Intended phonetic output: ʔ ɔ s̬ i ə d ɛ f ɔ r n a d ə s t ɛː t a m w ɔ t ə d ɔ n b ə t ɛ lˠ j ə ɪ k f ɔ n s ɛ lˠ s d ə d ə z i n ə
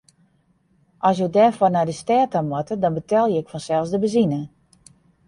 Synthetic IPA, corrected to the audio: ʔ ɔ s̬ j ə d ɛ f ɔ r n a d ə s t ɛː t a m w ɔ t ə d ɔ n b ə t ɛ lˠ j ə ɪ k f ɔ n s ɛ lˠ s d ə b ə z i n ə